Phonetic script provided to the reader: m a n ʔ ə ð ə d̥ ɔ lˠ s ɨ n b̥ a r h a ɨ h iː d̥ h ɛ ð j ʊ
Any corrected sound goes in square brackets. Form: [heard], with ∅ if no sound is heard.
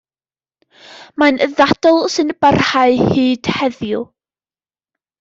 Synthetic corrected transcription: m a n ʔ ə ð [a] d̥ ɔ lˠ s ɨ n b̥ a r h a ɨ h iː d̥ h ɛ ð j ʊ

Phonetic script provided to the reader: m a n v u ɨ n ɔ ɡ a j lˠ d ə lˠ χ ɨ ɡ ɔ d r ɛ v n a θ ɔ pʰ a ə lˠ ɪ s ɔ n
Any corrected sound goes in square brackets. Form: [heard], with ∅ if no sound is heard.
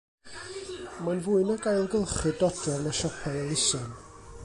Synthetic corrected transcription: m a n v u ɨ n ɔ ɡ a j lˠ [ɡ] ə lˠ χ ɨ [d] ɔ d r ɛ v n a [ʃ] ɔ pʰ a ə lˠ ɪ s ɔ n

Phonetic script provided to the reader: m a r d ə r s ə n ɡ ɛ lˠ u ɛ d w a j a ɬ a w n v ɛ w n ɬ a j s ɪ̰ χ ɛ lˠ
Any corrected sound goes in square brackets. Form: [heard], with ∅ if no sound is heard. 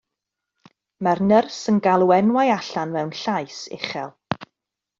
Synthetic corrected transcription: m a r [n] ə r s ə n ɡ [a] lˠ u ɛ [n] w a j a ɬ a [∅] n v ɛ w n ɬ a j s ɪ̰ χ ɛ lˠ

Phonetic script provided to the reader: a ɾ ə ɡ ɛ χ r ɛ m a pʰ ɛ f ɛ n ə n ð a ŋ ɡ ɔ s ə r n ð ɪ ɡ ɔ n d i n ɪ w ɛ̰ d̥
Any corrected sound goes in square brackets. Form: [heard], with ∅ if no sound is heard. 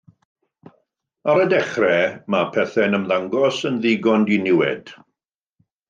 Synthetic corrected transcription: a ɾ ə [d] ɛ χ r ɛ m a pʰ ɛ [θ] ɛ n ə [m] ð a ŋ ɡ ɔ s ə [∅] n ð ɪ ɡ ɔ n d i n ɪ w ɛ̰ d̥

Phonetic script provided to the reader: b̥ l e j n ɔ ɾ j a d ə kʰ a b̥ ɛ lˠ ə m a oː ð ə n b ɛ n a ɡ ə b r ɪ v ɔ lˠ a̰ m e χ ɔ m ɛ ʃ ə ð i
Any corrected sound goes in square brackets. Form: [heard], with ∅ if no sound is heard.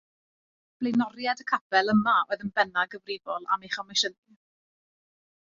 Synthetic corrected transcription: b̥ l e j n ɔ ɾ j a d ə kʰ a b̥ ɛ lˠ ə m a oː ð ə n b ɛ n a ɡ ə [v] r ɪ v ɔ lˠ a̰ m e χ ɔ m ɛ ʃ ə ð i

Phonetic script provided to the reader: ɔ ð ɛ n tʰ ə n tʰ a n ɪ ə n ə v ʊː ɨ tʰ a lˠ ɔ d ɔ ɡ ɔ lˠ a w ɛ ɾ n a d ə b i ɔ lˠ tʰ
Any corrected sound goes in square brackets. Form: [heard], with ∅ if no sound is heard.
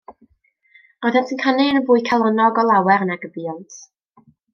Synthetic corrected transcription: ɔ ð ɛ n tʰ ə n [kʰ] a n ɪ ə n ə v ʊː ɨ [kʰ] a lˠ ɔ [n] ɔ ɡ ɔ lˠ a w ɛ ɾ n a [ɡ] ə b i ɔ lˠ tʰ

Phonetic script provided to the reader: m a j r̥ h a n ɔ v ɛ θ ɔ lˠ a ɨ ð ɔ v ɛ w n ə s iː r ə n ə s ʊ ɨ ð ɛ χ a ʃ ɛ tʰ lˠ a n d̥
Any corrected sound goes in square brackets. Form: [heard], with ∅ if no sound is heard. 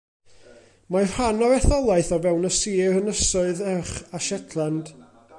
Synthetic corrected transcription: m a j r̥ h a n ɔ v ɛ θ ɔ lˠ a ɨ [θ] ɔ v ɛ w n ə s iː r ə n ə s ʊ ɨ ð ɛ χ a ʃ ɛ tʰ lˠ a n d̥

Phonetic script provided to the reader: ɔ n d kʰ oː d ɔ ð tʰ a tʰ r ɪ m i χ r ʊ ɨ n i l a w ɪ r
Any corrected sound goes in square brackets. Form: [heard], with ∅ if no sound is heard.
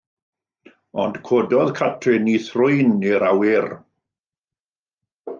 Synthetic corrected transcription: ɔ n d kʰ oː d ɔ ð [kʰ] a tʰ r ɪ [n] i [θ] r ʊ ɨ n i [ɾ] a w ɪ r

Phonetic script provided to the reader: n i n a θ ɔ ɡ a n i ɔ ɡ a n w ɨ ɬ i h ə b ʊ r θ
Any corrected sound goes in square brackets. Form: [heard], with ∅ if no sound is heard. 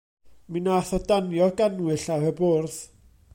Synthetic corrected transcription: [m] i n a θ ɔ [d] a n [j] ɔ ɡ a n w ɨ ɬ [a] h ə b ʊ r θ

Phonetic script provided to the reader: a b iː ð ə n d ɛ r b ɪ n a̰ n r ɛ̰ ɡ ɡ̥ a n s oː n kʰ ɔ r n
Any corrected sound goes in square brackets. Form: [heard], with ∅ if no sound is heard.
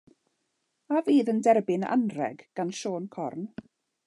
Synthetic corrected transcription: a [v] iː ð ə n d ɛ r b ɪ n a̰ n r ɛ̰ ɡ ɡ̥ a n [ʃ] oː n kʰ ɔ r n

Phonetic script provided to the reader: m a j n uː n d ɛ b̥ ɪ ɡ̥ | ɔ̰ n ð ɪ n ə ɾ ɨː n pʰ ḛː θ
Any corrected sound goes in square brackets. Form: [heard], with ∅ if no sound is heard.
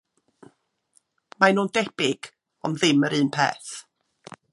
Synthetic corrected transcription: m a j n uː n d ɛ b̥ ɪ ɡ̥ | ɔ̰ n ð ɪ [m] ə ɾ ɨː n pʰ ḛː θ

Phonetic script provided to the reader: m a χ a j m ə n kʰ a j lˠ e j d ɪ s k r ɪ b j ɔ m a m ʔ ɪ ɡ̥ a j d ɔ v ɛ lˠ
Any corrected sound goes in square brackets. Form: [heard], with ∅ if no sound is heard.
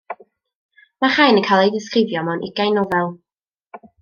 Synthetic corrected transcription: m a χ a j [n] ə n kʰ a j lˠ e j d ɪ s k r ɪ [v] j ɔ m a [n] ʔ ɪ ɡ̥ a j [n] ɔ v ɛ lˠ

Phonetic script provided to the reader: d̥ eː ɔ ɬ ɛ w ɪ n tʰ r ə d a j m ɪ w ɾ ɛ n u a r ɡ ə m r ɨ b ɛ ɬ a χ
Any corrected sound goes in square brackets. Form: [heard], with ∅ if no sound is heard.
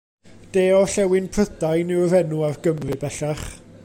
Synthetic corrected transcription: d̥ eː ɔ ɬ ɛ w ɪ n [pʰ] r ə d a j [n] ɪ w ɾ ɛ n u a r ɡ ə m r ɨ b ɛ ɬ a χ

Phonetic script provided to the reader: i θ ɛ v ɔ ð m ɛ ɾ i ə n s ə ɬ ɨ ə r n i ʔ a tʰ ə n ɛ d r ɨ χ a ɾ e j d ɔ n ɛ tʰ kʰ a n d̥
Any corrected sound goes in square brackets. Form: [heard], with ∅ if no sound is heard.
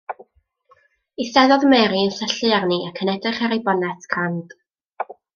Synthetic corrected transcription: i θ ɛ [ð] ɔ ð m ɛ ɾ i ə n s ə ɬ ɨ [a] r n i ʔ a [kʰ] ə n ɛ d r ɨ χ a ɾ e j [b] ɔ n ɛ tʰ kʰ a n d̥

